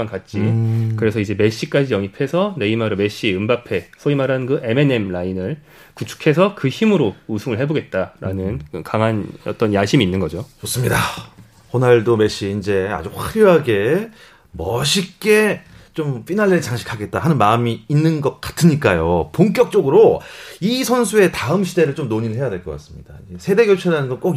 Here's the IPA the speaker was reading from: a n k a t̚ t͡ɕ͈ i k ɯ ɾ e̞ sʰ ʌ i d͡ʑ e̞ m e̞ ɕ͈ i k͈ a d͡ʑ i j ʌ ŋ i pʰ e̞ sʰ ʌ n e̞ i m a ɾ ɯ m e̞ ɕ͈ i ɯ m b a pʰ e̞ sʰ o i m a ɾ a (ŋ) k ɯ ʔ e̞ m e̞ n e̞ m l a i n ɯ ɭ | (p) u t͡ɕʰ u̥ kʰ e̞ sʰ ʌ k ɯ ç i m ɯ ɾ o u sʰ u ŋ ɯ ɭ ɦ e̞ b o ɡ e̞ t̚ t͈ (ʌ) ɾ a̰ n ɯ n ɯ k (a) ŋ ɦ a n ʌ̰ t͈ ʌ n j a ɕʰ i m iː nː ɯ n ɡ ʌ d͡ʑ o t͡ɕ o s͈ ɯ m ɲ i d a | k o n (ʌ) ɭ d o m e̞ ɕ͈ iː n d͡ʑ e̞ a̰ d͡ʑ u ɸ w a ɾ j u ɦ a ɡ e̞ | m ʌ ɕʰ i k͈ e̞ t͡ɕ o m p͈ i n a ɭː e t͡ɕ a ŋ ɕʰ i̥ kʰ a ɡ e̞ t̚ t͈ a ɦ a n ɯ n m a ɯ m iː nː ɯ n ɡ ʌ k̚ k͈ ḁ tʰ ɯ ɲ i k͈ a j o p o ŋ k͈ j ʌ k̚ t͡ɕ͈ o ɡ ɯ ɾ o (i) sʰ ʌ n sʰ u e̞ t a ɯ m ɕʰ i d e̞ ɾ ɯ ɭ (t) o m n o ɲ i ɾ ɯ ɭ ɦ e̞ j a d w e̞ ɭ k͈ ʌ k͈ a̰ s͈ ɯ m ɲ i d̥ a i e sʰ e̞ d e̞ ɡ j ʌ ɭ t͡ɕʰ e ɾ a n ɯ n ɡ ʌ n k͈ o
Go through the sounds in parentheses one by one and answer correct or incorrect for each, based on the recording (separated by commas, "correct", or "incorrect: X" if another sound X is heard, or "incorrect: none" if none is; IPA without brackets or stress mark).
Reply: incorrect: n, incorrect: k, incorrect: a, correct, incorrect: a, correct, incorrect: t͡ɕ